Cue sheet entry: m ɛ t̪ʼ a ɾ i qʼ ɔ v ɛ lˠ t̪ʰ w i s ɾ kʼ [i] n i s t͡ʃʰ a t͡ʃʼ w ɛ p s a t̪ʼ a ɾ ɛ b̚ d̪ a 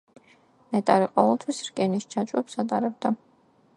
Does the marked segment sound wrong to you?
yes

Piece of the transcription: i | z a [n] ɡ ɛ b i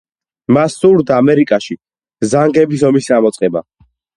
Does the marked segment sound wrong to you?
yes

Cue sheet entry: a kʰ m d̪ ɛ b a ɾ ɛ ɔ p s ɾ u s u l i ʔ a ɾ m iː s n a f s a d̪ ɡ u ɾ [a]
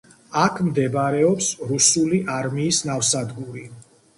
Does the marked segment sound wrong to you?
yes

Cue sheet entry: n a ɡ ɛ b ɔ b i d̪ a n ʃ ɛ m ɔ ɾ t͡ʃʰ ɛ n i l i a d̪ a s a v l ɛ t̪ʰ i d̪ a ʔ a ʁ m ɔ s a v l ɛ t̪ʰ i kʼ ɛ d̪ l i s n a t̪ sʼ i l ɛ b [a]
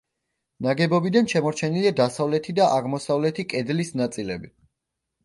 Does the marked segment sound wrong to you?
yes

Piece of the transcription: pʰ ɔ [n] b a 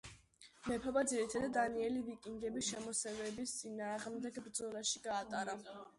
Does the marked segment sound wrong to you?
yes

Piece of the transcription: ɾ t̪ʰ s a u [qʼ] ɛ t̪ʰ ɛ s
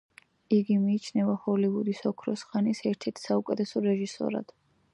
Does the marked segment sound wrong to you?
yes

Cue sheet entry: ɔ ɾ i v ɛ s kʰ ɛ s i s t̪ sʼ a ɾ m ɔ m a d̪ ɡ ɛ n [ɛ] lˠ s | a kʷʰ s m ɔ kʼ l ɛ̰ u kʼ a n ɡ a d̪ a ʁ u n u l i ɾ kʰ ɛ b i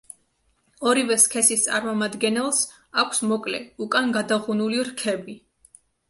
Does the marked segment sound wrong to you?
no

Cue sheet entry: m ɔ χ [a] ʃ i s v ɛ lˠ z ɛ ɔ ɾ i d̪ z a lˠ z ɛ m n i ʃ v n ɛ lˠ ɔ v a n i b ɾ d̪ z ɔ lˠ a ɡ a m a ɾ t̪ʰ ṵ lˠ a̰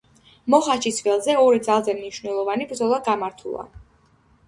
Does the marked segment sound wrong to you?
no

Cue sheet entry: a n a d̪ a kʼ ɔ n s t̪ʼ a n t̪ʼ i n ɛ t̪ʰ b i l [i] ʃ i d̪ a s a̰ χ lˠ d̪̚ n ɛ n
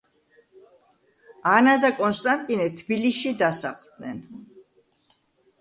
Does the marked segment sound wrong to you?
no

